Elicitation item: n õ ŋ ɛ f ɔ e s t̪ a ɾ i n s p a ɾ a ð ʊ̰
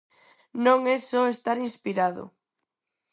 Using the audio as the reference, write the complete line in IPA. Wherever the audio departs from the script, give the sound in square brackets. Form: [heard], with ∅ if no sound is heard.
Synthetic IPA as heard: n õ ŋ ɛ [s] ɔ e s t̪ a ɾ i n s p [i] ɾ a ð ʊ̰